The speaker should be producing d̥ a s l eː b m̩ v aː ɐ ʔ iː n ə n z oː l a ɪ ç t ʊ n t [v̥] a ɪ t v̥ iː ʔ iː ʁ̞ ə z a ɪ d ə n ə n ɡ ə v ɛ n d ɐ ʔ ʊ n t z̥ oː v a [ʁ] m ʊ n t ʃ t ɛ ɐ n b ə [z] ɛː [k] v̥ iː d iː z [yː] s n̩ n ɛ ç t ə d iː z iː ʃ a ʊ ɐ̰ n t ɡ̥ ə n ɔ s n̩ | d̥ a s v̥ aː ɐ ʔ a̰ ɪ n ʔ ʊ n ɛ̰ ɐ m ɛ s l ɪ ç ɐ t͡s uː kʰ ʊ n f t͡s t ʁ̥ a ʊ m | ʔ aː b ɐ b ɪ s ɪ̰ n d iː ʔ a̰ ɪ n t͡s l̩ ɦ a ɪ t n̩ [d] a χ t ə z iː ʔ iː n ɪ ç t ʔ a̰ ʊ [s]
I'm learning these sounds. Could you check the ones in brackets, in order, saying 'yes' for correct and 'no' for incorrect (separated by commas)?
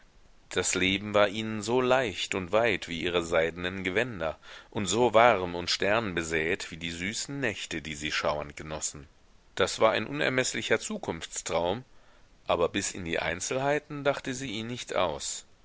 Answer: yes, yes, yes, no, yes, yes, yes